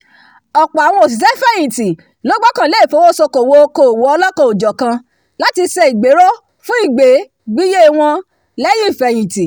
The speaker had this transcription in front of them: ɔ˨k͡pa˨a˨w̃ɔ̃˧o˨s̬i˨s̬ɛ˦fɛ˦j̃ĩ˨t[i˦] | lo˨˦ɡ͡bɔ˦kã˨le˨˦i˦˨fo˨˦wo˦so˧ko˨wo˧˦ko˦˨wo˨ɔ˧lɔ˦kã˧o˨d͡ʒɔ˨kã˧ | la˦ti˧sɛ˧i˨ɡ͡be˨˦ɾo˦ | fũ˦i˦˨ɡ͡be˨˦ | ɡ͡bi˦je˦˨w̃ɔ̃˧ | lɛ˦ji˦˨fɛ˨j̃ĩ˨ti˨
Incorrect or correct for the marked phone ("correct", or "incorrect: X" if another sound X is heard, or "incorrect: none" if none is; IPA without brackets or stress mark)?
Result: incorrect: i˨